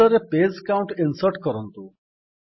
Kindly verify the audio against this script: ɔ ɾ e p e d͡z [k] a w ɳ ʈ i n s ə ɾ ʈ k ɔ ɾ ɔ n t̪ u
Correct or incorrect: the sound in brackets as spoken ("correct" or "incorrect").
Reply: correct